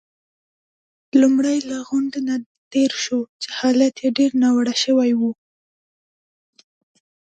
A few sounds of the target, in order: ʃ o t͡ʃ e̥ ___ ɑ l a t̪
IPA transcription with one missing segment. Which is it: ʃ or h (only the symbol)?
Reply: h